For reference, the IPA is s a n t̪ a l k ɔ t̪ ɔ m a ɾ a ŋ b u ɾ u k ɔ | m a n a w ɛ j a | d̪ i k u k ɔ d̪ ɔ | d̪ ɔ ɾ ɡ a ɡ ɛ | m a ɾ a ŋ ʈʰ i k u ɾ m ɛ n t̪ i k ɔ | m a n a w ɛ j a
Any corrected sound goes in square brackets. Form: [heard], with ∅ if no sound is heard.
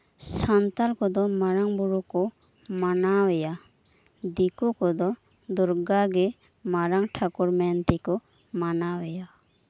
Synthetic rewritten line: s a n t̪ a l k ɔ [d̪] ɔ m a ɾ a ŋ b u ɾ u k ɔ | m a n a w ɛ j a | d̪ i k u k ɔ d̪ ɔ | d̪ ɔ ɾ ɡ a ɡ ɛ | m a ɾ a ŋ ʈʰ [a] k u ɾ m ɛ n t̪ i k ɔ | m a n a w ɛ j a